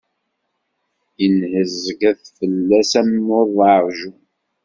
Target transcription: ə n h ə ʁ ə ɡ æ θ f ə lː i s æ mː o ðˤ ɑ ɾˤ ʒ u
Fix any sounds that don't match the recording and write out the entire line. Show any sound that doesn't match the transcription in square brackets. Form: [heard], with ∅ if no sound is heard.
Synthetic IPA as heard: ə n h ə [z] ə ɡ æ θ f ə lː [æ] s æ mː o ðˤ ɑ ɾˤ ʒ u